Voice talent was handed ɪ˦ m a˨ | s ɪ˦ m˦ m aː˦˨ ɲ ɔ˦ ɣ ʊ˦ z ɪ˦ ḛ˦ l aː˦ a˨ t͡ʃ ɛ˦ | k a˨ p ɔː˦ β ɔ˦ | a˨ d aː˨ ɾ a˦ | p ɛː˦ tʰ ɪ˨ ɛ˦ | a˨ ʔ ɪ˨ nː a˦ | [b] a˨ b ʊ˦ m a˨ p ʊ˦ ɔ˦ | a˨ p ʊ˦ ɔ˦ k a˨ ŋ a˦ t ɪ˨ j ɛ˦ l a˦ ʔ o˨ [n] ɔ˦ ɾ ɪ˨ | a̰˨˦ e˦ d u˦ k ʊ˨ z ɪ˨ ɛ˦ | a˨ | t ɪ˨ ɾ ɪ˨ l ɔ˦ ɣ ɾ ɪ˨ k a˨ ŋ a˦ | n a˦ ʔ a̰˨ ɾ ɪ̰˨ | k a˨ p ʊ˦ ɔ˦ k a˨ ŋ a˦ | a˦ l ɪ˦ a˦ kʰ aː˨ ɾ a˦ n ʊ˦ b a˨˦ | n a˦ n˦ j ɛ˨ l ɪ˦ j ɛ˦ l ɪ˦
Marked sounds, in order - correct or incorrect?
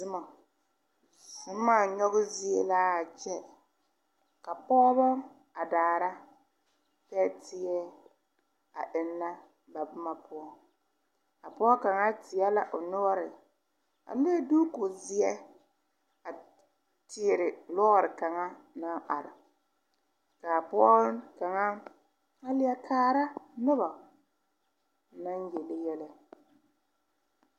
correct, correct

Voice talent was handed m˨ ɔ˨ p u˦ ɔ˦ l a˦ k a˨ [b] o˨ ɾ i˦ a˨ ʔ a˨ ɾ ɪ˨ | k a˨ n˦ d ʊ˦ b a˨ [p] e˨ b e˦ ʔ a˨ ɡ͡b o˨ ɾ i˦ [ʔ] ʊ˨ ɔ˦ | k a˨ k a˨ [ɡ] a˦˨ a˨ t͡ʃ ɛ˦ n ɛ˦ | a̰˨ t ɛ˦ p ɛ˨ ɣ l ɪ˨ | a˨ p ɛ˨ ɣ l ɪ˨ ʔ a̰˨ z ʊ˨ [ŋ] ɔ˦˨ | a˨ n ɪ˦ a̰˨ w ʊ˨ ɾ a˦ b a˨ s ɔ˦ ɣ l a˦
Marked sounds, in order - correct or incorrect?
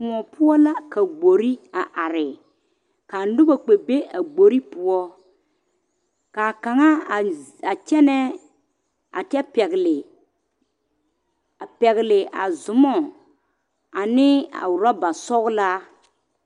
incorrect, incorrect, incorrect, incorrect, incorrect

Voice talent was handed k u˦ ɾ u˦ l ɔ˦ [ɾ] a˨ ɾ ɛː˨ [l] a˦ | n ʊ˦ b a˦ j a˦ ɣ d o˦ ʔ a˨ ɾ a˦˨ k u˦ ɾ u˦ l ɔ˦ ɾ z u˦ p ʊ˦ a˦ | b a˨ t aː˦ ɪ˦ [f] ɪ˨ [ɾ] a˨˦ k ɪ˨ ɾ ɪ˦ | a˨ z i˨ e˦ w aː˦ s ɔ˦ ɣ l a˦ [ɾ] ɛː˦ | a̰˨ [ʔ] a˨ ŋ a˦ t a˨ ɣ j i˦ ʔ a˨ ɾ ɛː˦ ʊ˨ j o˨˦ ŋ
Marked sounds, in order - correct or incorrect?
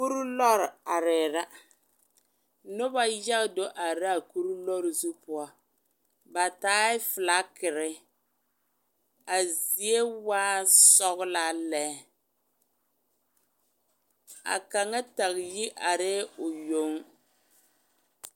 correct, incorrect, correct, incorrect, incorrect, incorrect

